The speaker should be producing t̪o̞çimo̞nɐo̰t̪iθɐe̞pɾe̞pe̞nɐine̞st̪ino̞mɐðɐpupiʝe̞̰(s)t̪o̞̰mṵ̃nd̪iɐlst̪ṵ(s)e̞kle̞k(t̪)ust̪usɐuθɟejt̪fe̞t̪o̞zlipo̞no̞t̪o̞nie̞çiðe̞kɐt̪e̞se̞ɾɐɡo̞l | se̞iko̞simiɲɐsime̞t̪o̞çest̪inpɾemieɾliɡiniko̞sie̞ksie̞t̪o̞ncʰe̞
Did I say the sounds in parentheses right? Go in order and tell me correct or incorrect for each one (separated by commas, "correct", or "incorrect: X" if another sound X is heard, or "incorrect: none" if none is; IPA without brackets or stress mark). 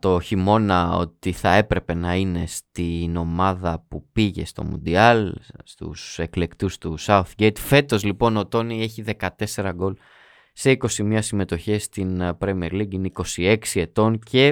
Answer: correct, correct, correct